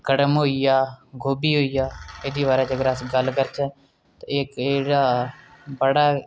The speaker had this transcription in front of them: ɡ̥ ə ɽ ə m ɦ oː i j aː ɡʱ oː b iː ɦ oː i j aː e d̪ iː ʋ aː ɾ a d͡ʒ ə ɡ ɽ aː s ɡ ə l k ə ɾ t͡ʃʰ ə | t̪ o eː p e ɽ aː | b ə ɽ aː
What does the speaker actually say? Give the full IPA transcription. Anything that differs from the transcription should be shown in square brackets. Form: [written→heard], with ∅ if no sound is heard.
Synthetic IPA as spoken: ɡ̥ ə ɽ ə m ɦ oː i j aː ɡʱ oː b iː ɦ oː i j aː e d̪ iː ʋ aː ɾ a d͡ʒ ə ɡ [ɽ→ɾ] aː s ɡ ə l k ə ɾ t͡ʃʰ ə | t̪ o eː [p→k] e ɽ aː | b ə ɽ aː